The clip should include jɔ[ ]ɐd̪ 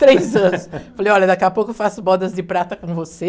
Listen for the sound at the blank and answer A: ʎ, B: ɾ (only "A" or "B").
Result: A